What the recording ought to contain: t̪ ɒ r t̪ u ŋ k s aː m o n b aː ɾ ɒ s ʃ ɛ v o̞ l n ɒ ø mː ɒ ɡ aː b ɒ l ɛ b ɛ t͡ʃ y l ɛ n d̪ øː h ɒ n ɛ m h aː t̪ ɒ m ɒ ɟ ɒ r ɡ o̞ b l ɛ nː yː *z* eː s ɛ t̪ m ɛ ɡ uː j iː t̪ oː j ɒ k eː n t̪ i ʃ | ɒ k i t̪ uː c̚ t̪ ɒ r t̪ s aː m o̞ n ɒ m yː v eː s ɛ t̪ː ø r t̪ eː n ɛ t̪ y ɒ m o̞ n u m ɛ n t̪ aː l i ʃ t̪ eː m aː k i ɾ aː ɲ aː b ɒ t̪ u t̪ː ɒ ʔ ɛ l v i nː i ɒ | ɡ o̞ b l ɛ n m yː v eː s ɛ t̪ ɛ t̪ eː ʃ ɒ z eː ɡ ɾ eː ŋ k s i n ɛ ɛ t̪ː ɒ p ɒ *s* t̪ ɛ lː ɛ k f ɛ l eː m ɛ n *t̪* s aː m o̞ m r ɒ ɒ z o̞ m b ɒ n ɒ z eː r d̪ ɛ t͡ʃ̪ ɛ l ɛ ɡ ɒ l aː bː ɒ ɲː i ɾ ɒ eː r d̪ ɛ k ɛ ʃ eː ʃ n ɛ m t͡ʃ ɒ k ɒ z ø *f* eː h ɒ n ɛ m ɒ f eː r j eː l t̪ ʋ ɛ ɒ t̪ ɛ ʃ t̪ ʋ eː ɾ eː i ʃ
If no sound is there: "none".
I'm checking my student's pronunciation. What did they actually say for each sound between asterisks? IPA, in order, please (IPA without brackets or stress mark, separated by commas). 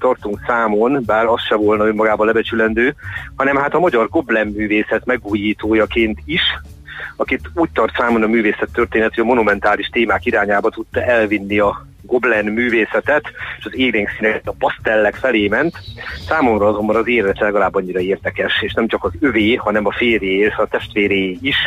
v, s, t̪, v